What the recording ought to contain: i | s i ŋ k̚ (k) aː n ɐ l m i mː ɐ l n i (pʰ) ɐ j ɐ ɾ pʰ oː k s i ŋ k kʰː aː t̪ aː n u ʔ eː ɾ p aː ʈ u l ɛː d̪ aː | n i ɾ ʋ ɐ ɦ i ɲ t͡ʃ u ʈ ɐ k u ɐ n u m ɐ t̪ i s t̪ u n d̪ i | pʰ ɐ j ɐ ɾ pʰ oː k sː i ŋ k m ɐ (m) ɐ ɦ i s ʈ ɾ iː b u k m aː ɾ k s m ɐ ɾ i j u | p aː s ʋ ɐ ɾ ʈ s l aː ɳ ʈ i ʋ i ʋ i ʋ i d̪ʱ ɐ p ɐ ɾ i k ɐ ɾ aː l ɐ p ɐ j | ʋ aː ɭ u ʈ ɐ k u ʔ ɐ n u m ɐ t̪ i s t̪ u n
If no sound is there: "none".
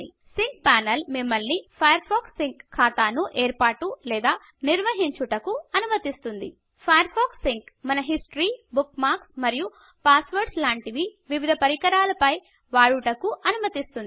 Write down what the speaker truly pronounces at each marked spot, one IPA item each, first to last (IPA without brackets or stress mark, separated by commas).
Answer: p, pʰ, n